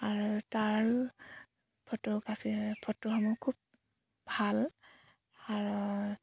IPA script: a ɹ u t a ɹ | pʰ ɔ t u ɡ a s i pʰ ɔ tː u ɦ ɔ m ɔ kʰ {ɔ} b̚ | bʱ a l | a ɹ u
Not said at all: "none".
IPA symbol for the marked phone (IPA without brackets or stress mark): u